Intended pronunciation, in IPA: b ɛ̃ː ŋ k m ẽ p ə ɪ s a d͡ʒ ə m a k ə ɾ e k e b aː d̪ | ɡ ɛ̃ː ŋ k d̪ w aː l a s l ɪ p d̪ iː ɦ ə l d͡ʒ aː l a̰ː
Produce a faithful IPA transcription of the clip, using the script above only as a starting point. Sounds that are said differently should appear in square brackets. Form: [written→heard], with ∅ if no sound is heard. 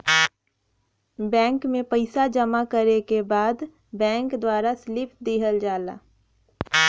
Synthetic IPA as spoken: b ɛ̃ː ŋ k m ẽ p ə ɪ s a d͡ʒ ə m a k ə ɾ e k e b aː d̪ | [ɡ→b] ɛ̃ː ŋ k d̪ w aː [l→ɾ] a s l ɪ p d̪ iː ɦ ə l d͡ʒ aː l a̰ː